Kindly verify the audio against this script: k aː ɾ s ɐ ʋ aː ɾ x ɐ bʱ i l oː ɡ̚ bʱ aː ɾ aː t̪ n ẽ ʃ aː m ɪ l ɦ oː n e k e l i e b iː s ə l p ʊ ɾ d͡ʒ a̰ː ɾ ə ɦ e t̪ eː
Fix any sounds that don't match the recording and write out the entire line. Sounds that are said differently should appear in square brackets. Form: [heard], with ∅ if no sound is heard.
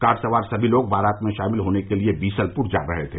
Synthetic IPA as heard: k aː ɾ s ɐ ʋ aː ɾ [s] ɐ bʱ i l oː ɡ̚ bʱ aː ɾ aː t̪ [m] ẽ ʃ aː m ɪ l ɦ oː n e k e l i e b iː s ə l p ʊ ɾ d͡ʒ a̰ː ɾ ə ɦ e [t̪ʰ] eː

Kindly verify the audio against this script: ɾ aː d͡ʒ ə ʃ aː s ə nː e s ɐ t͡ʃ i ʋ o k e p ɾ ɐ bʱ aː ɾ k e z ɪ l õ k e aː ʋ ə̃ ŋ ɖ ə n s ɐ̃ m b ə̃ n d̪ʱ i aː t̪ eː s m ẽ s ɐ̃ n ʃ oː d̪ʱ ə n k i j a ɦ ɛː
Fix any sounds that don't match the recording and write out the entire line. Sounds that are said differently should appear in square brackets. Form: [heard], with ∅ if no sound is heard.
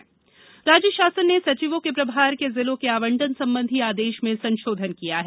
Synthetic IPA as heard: ɾ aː d͡ʒ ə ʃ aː s ə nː e s ɐ t͡ʃ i ʋ [õ] k e p ɾ ɐ bʱ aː ɾ k e z ɪ l õ k e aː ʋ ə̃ [ɳ] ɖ ə n s ɐ̃ m b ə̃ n d̪ʱ i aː [d̪] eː [ʃ] m ẽ s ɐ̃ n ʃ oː d̪ʱ ə n k i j a ɦ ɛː

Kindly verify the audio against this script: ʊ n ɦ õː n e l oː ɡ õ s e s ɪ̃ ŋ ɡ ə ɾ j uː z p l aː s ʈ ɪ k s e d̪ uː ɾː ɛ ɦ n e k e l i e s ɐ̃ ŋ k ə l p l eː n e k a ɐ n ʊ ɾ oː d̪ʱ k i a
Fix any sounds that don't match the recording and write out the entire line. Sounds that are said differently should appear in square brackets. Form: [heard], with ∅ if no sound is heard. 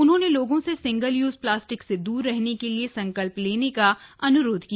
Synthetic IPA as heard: ʊ n ɦ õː n e l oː ɡ õ s e s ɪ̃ ŋ ɡ ə [l] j uː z p l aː s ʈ ɪ k s e d̪ uː ɾː ɛ ɦ n e k e l i e s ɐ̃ ŋ k ə l p l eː n e k a ɐ n ʊ ɾ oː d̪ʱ k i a

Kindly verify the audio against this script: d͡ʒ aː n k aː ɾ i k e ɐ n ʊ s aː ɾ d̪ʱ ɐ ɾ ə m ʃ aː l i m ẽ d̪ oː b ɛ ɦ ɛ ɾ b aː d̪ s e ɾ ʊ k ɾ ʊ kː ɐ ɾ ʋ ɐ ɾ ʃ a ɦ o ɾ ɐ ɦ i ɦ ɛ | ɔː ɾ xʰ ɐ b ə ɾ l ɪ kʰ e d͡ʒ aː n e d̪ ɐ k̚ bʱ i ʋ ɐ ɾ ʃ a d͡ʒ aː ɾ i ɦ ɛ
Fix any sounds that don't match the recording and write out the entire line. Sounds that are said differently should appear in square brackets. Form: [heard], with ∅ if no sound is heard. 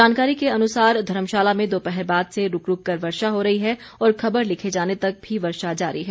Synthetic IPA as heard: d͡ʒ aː n k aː ɾ i k e ɐ n ʊ s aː ɾ d̪ʱ ɐ ɾ ə m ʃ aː l [a] m ẽ d̪ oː [p] ɛ ɦ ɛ ɾ b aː d̪ s e ɾ ʊ k ɾ ʊ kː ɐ ɾ ʋ ɐ ɾ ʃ a ɦ o ɾ ɐ ɦ i ɦ ɛ | ɔː ɾ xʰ ɐ b ə ɾ l ɪ kʰ e d͡ʒ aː n e [t̪] ɐ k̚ bʱ i ʋ ɐ ɾ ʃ a d͡ʒ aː ɾ i ɦ ɛ

